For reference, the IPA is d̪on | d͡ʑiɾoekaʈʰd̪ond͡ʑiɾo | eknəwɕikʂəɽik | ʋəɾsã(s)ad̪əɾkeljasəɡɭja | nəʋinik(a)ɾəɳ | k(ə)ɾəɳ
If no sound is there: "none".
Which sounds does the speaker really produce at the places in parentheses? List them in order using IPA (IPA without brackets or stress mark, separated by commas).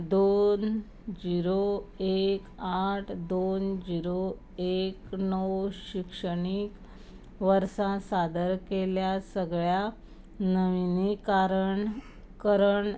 s, a, ə